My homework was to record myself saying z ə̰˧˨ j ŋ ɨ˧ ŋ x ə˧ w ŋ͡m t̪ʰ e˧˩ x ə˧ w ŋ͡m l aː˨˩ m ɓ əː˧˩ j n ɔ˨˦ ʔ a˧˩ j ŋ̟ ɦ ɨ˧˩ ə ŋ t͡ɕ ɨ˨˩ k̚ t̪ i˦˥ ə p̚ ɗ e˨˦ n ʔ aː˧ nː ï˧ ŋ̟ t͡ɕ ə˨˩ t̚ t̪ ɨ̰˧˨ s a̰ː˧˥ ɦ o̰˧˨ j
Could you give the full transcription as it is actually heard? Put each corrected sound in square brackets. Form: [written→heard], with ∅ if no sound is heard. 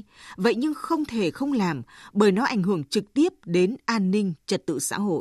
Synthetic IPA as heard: [z→v] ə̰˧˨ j [ŋ→ɲ] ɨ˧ ŋ x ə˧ w ŋ͡m t̪ʰ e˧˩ x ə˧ w ŋ͡m l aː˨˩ m ɓ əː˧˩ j n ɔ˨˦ ʔ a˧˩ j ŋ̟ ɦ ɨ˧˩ ə ŋ t͡ɕ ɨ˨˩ k̚ t̪ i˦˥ ə p̚ ɗ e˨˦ n ʔ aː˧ nː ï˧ ŋ̟ t͡ɕ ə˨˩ t̚ t̪ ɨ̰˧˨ s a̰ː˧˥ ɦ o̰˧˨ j